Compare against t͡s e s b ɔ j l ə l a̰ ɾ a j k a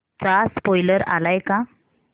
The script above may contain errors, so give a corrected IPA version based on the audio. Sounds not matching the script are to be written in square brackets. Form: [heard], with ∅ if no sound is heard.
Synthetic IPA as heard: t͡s [a] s [p] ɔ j l ə [ɾ] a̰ [l] a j k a